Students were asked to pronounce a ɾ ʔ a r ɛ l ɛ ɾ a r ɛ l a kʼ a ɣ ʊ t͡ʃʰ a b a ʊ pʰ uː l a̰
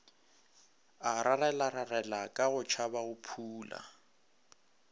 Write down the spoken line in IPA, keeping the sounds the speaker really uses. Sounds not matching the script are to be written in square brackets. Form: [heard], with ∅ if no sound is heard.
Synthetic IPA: a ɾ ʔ a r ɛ l [a] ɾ a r ɛ l a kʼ a ɣ ʊ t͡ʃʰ a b a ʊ pʰ uː l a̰